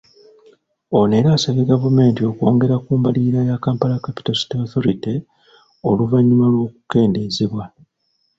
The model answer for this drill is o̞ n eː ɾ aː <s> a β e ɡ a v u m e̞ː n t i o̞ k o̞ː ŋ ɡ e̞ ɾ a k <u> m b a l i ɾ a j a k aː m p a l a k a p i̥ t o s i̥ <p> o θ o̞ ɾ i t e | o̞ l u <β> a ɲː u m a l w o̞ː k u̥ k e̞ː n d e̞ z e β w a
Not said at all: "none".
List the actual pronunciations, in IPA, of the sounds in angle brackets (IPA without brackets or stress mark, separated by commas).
s, uː, t, v